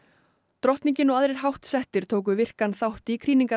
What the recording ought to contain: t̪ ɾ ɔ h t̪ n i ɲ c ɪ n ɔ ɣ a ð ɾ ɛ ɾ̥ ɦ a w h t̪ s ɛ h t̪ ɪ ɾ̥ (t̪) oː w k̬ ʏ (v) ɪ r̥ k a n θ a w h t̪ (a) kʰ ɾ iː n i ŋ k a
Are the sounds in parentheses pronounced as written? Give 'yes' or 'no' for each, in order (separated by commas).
no, yes, no